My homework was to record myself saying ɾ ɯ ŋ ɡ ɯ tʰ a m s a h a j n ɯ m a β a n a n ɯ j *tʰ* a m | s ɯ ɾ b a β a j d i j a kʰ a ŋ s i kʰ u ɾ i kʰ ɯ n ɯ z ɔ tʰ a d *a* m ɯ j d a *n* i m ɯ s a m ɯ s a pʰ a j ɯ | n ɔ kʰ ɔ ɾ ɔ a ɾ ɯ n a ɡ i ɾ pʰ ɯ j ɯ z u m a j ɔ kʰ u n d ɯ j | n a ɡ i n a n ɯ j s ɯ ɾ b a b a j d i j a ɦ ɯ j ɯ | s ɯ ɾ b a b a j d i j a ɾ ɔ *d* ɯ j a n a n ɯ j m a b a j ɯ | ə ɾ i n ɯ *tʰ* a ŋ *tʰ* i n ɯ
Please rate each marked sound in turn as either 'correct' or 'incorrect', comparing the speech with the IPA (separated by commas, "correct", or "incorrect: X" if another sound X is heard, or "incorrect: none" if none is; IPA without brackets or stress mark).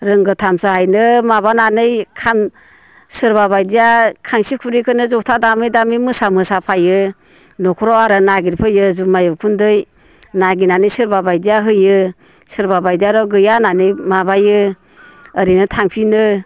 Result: incorrect: kʰ, correct, incorrect: m, incorrect: ɡ, correct, incorrect: pʰ